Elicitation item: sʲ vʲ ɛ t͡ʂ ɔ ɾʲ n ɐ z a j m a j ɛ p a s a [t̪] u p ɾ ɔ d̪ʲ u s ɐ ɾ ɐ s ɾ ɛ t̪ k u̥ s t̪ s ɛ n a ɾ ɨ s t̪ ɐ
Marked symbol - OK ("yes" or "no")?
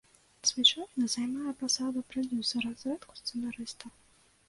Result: no